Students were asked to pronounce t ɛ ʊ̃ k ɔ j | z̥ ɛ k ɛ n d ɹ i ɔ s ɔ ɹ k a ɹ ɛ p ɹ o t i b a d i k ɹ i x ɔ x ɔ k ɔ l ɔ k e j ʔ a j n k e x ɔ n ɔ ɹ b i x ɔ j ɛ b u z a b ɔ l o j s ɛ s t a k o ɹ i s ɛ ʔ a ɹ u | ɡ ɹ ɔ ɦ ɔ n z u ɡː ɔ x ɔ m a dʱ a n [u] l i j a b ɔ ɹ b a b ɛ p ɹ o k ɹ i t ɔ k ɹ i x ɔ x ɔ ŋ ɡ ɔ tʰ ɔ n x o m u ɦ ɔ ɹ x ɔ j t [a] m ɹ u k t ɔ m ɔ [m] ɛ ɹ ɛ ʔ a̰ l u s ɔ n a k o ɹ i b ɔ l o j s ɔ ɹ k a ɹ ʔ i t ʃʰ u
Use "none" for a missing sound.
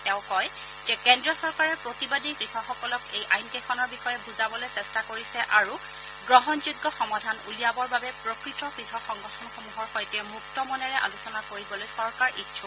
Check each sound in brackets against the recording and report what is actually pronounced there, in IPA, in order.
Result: u, ɛ, n

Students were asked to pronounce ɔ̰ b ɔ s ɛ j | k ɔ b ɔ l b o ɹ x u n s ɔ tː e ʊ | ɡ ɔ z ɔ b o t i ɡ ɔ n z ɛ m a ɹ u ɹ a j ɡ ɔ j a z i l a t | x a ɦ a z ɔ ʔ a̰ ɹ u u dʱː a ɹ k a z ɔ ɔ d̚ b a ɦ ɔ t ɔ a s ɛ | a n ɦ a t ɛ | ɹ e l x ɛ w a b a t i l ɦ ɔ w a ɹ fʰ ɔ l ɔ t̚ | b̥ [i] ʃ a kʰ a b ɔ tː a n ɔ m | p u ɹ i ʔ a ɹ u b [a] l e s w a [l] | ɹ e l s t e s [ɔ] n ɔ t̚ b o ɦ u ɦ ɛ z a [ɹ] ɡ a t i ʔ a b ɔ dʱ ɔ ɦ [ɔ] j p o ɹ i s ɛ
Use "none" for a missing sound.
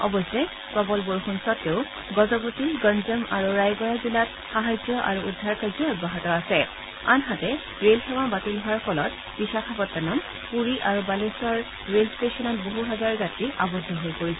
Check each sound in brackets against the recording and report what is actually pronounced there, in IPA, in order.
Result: i, a, ɹ, ɔ, ɹ, o

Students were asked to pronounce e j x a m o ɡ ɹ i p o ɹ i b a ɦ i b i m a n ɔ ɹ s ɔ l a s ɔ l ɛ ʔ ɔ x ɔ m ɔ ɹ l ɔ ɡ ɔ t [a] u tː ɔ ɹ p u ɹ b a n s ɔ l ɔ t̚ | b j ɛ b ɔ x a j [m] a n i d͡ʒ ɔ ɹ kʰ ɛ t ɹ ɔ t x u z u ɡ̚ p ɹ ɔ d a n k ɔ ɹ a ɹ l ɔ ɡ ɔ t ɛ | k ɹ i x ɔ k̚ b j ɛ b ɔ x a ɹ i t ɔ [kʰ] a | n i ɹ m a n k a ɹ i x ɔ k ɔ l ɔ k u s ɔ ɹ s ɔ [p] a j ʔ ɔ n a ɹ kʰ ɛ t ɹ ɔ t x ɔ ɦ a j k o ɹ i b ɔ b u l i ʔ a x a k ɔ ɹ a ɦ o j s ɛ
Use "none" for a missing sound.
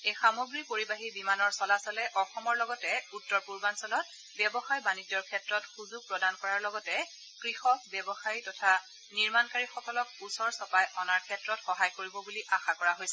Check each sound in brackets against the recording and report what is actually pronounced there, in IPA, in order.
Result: ɛ, b, tʰ, p

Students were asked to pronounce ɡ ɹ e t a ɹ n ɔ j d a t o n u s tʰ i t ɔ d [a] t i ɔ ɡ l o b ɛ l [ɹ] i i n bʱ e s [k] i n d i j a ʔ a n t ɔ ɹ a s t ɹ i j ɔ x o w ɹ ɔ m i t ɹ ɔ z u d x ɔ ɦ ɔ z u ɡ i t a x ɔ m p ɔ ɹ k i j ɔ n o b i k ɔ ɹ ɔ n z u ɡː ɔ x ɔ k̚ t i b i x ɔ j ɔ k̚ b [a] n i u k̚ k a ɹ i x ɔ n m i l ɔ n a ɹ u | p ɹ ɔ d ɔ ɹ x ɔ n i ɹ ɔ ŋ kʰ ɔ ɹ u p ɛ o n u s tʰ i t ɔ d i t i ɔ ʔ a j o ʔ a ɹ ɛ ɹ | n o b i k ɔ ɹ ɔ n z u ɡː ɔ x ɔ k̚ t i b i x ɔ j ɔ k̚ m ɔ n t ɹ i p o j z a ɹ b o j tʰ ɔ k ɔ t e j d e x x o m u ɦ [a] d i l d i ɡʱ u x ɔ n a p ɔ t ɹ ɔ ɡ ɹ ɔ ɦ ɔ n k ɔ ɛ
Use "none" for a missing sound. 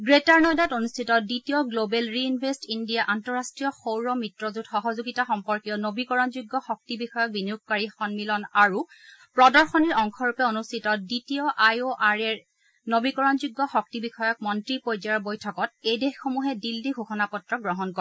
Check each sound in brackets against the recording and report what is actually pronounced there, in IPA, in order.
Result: i, ɹ, t, i, ɛ

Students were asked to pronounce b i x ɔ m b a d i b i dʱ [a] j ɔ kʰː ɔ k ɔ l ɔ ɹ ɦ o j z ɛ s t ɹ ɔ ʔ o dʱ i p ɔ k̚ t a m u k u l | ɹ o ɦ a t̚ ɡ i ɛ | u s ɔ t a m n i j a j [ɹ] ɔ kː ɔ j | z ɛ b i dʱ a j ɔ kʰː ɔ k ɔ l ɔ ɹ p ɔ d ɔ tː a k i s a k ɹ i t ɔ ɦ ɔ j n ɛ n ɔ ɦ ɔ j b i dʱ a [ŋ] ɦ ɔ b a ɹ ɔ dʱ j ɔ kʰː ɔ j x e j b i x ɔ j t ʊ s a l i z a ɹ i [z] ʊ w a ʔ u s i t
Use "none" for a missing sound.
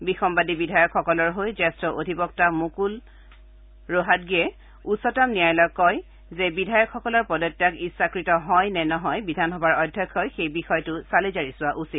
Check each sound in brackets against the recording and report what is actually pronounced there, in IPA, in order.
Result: a, l, n, s

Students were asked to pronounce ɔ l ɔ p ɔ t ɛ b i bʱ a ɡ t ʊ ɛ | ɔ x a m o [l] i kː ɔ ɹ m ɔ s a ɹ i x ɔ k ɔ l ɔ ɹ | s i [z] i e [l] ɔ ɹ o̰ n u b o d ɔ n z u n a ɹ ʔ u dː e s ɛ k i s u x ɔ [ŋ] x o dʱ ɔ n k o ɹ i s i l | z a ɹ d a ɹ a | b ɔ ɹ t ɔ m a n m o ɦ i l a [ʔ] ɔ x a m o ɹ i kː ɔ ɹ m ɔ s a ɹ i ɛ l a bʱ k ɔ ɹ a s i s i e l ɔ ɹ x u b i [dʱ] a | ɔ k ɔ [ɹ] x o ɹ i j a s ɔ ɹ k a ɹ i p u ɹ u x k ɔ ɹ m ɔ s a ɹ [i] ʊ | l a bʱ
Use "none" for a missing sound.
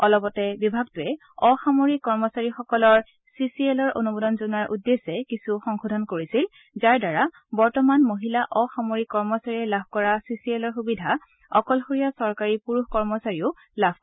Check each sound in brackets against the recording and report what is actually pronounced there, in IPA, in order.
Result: ɹ, s, l, ŋ, ʔ, dʱ, l, i

